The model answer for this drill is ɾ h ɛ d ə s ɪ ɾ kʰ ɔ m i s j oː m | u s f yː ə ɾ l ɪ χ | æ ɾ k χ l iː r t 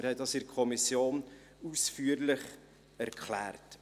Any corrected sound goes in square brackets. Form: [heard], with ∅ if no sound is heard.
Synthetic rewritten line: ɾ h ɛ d [ɑ] s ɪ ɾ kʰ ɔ m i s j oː [n] | u s f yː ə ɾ l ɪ χ | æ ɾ k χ l [æː] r t